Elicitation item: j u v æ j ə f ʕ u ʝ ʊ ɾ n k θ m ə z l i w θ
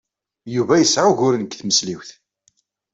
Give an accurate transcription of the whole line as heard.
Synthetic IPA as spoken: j u v æ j ə s ʕ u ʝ ʊ ɾ n k θ m ə s l i w θ

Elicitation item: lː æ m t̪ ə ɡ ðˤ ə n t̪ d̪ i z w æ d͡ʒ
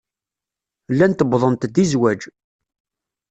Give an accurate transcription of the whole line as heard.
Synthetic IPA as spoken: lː æ n t̪ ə b ðˤ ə n t̪ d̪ i z w æ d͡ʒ

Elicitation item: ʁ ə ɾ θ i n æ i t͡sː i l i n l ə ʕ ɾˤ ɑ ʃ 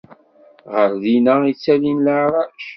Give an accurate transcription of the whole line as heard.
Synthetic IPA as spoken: ʁ ə ɾ ð i n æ i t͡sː æ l i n l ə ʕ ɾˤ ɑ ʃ

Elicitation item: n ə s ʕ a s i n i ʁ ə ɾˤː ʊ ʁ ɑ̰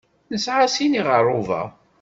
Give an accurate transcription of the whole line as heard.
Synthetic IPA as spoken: n ə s ʕ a s i n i ʁ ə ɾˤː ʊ v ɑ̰

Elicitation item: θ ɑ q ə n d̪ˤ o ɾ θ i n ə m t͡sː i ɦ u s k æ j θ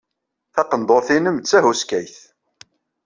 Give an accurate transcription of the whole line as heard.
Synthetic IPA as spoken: θ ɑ q ə n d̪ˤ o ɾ θ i n ə m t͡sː æ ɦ u s k æ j θ

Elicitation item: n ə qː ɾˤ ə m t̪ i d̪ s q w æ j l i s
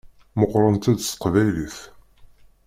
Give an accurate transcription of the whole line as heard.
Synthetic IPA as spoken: m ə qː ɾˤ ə n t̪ æ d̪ s q v æ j l i θ

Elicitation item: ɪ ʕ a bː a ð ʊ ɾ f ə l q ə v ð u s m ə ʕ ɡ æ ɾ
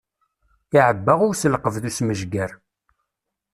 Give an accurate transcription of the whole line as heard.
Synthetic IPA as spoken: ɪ ʕ ə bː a ʁ ʊ ɾ s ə l q ə v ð u s m ə ʒ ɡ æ ɾ

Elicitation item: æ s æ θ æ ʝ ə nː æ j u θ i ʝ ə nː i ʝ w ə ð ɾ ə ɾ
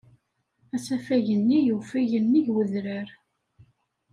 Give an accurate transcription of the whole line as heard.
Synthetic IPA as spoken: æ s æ f æ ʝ ə nː i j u f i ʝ ə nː i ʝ w ə ð ɾ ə ɾ

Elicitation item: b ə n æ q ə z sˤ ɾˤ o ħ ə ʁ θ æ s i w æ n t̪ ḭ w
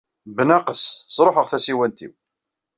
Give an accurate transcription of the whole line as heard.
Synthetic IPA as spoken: b ə n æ q ə s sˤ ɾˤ o ħ ə ʁ θ æ s i w æ n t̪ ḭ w

